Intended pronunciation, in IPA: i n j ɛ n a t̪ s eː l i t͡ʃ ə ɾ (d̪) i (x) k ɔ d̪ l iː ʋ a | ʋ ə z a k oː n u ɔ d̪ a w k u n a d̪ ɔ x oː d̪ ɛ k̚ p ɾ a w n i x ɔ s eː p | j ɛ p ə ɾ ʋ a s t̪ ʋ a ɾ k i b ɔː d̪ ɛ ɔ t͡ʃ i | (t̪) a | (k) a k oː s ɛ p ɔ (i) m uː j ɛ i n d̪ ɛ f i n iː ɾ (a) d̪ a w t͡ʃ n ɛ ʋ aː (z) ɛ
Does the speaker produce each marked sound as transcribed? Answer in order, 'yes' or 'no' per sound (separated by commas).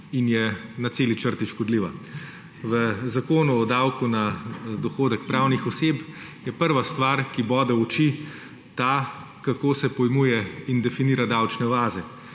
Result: no, no, yes, yes, no, yes, yes